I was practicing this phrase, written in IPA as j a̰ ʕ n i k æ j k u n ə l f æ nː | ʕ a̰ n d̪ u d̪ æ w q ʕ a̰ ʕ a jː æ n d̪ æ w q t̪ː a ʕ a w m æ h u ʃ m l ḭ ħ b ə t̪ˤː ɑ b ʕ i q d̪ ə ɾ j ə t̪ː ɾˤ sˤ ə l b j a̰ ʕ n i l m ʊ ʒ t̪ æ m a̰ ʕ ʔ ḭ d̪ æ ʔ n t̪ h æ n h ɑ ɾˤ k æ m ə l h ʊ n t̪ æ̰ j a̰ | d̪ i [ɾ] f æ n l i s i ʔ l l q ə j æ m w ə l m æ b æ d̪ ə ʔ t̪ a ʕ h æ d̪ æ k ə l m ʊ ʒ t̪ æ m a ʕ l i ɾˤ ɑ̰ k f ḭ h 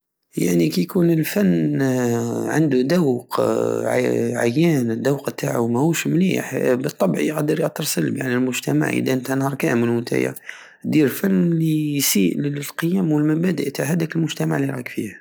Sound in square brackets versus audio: correct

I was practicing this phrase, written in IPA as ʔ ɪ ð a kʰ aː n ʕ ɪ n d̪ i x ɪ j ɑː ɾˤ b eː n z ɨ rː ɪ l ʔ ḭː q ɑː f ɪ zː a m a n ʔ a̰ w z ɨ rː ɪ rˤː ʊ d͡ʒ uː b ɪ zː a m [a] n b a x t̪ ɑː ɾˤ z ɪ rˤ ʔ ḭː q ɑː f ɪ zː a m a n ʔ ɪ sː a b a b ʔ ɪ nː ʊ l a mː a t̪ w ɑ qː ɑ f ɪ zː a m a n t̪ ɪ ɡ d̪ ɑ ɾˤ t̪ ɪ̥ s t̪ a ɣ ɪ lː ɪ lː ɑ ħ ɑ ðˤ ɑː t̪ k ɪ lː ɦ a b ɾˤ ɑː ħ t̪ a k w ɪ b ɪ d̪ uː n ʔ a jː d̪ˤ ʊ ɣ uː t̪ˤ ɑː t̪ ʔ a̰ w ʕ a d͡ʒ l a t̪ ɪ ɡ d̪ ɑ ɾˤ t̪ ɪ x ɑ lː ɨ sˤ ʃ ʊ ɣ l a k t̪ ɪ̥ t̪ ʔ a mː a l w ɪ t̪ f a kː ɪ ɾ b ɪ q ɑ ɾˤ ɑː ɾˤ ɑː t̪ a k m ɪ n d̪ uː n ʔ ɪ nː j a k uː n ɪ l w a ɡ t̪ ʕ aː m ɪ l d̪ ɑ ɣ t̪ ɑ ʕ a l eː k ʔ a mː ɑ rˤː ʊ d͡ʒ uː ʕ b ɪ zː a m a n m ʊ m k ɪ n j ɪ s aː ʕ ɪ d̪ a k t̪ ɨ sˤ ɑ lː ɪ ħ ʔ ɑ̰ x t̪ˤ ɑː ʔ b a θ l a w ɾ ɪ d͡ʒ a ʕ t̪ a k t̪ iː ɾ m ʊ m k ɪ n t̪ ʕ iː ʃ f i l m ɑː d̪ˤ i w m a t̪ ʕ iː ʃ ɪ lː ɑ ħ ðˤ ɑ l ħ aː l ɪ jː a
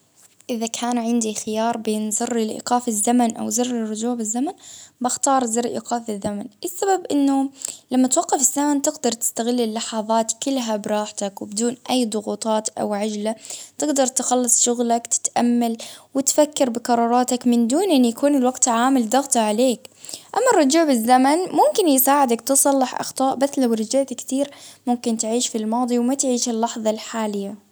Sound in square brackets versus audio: correct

